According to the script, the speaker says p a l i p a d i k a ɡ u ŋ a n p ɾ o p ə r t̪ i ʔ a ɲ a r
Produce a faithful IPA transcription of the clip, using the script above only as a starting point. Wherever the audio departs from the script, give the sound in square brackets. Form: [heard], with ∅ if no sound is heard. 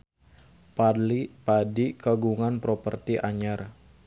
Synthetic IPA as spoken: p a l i p a d i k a ɡ u ŋ a n p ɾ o p ə r t̪ i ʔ a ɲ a r